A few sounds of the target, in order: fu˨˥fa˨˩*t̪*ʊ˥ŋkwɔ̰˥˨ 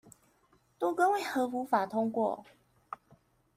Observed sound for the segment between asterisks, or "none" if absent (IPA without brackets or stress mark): t̪ʰ